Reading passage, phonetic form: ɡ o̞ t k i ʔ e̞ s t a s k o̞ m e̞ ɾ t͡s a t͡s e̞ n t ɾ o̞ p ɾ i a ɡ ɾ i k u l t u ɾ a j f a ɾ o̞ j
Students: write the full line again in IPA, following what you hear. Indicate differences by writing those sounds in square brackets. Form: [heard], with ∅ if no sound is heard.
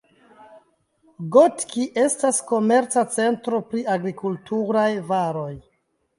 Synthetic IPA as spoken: ɡ o̞ t k i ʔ e̞ s t a s k o̞ m e̞ ɾ t͡s a t͡s e̞ n t ɾ o̞ p ɾ i a ɡ ɾ i k u l t u ɾ a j [v] a ɾ o̞ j